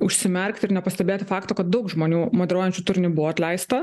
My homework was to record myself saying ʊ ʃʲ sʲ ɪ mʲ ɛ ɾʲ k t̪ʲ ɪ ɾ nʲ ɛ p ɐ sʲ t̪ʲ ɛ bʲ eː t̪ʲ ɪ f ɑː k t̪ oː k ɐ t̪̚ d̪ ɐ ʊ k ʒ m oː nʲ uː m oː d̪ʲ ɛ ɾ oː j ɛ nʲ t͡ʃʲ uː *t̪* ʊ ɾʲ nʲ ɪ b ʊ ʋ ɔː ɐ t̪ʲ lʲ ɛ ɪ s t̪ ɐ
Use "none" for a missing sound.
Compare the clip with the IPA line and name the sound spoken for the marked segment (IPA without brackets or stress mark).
t̪